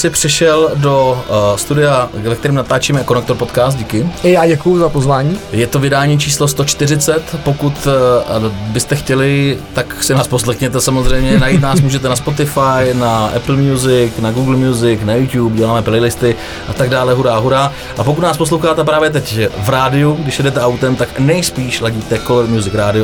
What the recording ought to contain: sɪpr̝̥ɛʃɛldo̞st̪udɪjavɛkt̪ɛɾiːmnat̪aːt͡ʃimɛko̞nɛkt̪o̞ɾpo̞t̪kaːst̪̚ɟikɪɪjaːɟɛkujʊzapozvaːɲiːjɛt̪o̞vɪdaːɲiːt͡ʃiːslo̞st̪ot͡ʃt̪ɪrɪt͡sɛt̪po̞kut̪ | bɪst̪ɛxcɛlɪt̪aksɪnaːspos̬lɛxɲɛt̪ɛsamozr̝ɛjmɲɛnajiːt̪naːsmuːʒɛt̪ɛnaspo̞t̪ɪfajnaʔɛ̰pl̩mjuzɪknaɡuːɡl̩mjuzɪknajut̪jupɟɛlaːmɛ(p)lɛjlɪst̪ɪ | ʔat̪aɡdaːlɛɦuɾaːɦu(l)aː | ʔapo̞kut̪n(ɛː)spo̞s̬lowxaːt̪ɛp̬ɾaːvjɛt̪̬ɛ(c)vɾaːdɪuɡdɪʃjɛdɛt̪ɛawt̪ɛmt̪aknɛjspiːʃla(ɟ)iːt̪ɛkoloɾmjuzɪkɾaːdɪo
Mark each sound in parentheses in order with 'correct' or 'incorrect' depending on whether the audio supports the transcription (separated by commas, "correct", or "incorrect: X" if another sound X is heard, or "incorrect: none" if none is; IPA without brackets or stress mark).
correct, incorrect: ɾ, incorrect: aː, correct, correct